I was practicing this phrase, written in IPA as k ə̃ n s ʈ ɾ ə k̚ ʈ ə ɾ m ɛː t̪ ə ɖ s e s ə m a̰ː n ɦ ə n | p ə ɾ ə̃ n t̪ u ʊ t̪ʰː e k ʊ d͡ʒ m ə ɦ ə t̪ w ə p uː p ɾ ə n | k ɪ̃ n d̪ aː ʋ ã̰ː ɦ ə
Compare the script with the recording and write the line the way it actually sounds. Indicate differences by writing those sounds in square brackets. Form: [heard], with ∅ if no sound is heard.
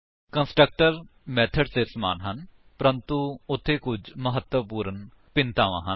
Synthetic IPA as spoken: k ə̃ n s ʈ ɾ ə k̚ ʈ ə ɾ m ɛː [t̪ʰ] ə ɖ s e s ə m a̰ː n ɦ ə n | p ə ɾ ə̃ n t̪ u ʊ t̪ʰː e k ʊ d͡ʒ m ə ɦ ə t̪ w ə p uː [∅] ɾ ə n | [p] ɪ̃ n [t̪] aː ʋ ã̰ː ɦ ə